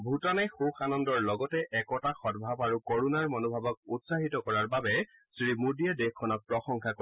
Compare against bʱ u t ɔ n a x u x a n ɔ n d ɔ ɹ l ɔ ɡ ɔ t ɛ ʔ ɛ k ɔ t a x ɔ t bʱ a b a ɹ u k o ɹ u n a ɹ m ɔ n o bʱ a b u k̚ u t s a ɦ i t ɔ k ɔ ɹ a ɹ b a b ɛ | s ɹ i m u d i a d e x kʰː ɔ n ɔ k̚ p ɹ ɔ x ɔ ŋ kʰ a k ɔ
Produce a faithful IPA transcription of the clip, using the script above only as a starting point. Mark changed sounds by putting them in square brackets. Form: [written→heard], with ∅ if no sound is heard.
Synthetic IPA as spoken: bʱ u t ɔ n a x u x a n ɔ n d ɔ ɹ l ɔ ɡ ɔ t ɛ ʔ ɛ k ɔ t a x ɔ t bʱ a b a ɹ u k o ɹ u n a ɹ m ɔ n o bʱ a b [u→ɔ] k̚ u t s a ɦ i t ɔ k ɔ ɹ a ɹ b a b ɛ | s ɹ i m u d i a d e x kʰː ɔ n ɔ k̚ p ɹ ɔ x ɔ ŋ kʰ a k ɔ